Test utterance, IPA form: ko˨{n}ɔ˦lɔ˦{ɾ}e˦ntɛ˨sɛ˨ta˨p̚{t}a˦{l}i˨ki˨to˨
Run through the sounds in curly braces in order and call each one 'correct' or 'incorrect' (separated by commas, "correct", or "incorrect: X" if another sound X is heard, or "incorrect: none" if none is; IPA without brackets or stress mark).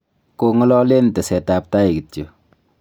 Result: incorrect: ŋ, incorrect: l, correct, incorrect: none